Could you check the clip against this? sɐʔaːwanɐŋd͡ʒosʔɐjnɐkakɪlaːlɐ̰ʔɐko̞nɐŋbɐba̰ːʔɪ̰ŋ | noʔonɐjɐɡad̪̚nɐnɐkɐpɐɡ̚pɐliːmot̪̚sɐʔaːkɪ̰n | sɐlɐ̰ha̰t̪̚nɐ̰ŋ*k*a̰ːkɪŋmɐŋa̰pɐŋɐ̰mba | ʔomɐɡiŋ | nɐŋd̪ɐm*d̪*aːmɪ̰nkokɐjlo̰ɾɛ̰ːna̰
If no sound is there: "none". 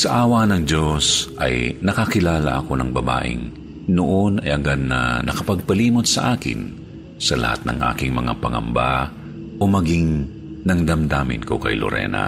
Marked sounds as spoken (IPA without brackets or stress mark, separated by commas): ʔ, d̪